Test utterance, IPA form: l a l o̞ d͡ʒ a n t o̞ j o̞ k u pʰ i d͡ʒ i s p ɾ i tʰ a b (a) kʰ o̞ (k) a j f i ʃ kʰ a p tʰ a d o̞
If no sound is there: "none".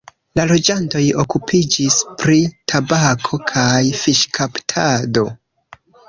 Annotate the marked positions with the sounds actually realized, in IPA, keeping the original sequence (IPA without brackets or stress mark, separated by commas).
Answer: a, kʰ